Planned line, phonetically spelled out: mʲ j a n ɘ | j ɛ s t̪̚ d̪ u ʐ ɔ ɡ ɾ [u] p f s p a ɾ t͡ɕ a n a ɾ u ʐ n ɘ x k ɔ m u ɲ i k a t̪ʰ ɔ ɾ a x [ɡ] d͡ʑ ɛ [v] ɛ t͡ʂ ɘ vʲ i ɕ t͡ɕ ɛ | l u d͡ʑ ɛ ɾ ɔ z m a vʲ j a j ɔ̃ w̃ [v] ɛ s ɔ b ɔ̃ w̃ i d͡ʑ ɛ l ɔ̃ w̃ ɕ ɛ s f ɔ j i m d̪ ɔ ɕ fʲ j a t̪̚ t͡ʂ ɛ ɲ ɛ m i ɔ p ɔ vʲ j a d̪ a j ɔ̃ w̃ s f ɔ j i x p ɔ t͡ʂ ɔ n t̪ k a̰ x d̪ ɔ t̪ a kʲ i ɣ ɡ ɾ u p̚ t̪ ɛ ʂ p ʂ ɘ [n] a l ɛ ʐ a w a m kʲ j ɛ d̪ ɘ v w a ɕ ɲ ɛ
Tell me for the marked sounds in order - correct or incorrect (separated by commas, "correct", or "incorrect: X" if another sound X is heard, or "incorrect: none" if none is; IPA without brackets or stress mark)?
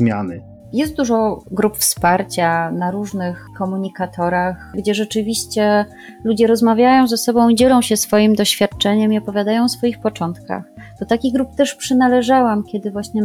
correct, correct, incorrect: ʐ, incorrect: z, correct